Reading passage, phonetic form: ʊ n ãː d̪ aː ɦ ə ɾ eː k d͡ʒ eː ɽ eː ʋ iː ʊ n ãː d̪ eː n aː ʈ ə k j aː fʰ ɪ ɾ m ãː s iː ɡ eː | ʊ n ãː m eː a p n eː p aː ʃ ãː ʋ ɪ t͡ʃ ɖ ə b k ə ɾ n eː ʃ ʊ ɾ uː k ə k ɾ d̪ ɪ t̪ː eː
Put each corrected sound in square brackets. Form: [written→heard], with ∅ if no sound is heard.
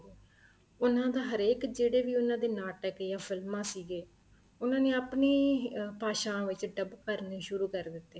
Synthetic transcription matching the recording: ʊ n ãː d̪ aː ɦ ə ɾ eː k d͡ʒ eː ɽ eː ʋ iː ʊ n ãː d̪ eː n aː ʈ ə k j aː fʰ ɪ [ɾ→l] m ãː s iː ɡ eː | ʊ n ãː [m→n] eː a p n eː p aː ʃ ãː ʋ ɪ t͡ʃ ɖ ə b k ə ɾ n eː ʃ ʊ ɾ uː k ə [k→∅] ɾ d̪ ɪ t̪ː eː